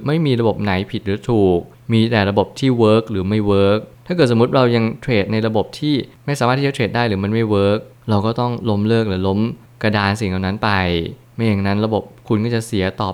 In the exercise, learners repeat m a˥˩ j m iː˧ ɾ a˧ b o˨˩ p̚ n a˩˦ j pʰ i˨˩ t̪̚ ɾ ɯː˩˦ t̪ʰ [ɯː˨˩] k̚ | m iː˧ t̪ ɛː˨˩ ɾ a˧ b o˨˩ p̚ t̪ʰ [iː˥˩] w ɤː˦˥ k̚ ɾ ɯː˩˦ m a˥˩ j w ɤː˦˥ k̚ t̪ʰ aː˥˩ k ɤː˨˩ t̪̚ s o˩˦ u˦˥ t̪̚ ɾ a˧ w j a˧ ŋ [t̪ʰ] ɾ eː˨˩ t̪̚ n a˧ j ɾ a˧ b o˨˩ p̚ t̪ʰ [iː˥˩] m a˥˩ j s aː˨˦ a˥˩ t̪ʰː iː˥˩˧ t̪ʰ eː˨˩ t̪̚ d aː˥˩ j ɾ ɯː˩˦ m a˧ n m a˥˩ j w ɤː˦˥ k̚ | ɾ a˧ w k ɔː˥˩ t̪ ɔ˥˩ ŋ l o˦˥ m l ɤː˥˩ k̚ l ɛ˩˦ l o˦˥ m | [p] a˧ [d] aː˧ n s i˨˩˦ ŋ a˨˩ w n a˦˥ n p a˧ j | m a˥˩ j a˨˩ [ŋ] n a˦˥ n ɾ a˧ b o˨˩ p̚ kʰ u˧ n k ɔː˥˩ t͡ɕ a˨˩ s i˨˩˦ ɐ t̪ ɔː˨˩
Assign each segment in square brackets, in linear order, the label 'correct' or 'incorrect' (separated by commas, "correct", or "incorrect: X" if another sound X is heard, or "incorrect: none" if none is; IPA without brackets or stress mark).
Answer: incorrect: uː˨˩, correct, correct, correct, incorrect: k, correct, correct